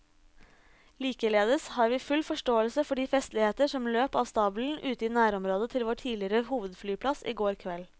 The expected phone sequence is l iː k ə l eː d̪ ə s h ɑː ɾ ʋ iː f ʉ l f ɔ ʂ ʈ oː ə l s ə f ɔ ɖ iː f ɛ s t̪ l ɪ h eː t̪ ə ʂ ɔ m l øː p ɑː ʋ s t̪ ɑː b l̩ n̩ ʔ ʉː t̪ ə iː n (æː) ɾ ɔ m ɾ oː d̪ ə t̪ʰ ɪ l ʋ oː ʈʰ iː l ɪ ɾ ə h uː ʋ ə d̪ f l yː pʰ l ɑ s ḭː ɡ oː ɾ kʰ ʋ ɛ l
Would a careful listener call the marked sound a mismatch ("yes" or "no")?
no